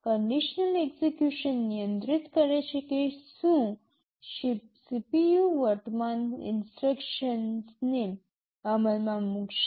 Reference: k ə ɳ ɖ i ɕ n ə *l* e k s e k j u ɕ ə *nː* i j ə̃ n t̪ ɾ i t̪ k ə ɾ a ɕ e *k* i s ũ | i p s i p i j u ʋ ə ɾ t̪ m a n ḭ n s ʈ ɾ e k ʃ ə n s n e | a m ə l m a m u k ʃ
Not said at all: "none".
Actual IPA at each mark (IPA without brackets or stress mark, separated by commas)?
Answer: l, nː, k